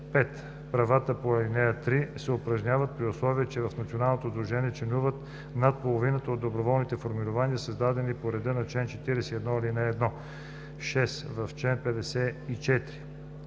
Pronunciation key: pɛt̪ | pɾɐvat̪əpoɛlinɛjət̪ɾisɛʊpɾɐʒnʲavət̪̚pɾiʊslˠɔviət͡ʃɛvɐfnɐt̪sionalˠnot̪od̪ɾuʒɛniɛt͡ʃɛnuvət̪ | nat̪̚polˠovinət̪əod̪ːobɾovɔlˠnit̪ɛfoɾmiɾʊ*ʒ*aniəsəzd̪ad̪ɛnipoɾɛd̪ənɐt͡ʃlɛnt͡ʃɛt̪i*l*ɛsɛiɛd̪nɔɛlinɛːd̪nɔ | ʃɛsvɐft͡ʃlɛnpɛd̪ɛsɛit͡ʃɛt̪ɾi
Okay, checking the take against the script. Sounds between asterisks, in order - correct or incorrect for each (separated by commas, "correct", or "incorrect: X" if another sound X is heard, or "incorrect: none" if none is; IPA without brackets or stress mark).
incorrect: v, incorrect: ɾ